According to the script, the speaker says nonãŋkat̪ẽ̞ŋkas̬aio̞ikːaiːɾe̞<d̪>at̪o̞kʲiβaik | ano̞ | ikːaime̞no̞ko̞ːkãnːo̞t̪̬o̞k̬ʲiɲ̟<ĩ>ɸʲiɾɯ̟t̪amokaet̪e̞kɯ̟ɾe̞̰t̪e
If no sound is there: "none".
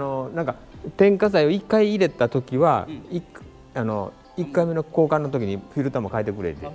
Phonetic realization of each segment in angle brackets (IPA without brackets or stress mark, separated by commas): t̪, i